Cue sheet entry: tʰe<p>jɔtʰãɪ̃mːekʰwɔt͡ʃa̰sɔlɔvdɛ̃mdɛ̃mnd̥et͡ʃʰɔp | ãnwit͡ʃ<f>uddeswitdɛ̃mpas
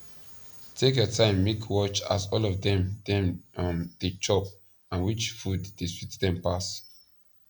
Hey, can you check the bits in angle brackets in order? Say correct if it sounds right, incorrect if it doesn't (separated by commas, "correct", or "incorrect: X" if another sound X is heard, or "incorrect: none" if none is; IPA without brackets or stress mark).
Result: incorrect: k, correct